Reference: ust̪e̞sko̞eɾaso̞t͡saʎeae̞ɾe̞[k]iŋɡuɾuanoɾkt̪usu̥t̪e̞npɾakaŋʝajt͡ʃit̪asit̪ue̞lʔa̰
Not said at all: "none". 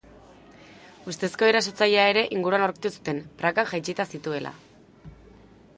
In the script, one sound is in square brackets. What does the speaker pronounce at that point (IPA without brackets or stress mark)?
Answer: ʔ